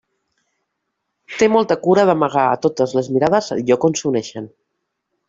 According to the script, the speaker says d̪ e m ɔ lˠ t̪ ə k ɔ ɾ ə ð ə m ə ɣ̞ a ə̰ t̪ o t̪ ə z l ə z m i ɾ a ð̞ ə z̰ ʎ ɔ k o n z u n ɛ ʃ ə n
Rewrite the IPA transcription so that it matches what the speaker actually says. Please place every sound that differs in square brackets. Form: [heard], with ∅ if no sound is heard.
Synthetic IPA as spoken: [t̪] e m ɔ lˠ t̪ ə k [u] ɾ ə ð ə m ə ɣ̞ a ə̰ t̪ o t̪ ə z l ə z m i ɾ a ð̞ ə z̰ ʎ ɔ k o n [s] u n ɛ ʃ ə n